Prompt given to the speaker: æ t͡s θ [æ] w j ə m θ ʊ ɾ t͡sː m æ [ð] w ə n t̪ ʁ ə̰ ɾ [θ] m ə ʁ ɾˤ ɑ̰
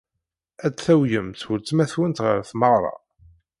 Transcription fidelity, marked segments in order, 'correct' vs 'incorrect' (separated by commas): correct, incorrect, correct